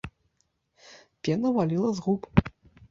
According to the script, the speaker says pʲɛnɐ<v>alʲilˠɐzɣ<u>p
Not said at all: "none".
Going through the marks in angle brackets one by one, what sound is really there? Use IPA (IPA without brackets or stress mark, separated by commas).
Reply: v, u